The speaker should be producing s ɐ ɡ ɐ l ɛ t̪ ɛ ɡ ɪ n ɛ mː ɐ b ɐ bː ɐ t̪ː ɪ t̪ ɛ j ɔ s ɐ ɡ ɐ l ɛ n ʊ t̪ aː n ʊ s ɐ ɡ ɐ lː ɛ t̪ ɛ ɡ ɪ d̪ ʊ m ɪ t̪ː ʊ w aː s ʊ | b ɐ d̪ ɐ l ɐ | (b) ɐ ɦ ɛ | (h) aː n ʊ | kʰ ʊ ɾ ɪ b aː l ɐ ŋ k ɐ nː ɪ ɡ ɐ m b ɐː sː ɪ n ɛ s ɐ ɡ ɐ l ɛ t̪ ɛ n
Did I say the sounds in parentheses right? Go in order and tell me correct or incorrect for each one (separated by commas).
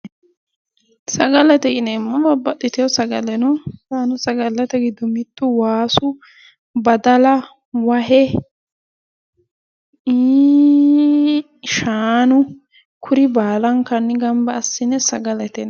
incorrect, incorrect